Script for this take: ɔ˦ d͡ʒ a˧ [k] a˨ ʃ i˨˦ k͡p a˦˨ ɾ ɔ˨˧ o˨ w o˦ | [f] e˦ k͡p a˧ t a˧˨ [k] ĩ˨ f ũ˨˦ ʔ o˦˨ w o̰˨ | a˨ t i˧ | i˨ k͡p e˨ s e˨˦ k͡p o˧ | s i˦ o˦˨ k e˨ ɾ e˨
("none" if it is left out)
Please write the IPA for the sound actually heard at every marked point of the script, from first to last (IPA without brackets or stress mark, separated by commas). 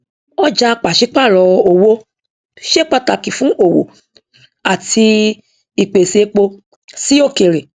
k͡p, ʃ, k